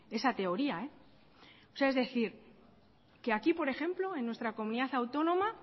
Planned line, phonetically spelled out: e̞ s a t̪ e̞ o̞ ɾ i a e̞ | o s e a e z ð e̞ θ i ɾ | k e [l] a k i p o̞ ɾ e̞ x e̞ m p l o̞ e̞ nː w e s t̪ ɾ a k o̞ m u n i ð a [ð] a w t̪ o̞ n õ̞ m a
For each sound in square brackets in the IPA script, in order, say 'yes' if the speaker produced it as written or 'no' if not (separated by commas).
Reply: no, no